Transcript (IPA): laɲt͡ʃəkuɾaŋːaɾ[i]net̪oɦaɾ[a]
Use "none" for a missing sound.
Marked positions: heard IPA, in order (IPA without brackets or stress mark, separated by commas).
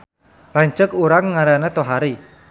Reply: a, i